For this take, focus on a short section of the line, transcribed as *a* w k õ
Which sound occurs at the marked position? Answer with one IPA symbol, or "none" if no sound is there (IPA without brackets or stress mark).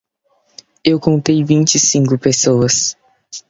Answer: e